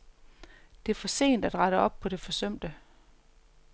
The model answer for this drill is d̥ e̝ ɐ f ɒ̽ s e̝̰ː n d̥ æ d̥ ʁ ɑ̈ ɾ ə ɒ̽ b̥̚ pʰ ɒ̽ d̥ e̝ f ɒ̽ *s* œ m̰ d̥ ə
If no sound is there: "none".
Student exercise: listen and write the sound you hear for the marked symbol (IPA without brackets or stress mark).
s